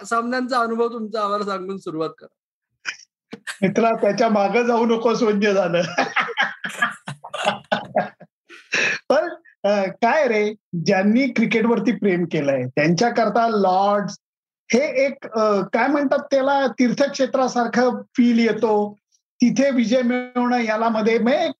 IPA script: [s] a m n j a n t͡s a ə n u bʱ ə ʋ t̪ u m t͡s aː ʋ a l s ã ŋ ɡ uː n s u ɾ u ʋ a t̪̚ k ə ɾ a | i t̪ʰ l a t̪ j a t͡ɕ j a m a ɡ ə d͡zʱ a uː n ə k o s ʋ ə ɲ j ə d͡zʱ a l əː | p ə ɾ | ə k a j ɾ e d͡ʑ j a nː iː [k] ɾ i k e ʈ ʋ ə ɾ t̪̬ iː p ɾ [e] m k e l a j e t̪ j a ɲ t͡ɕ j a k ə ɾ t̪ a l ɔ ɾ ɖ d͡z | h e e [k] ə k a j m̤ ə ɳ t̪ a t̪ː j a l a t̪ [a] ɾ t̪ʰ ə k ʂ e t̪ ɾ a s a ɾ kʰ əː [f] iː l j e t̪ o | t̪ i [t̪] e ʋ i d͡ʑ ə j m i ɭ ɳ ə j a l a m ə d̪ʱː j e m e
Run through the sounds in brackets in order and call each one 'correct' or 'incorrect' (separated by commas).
correct, correct, correct, correct, incorrect, correct, incorrect